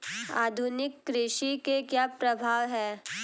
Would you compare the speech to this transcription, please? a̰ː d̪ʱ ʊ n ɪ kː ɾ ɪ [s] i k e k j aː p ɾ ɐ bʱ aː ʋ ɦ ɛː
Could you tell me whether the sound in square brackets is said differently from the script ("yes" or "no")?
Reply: yes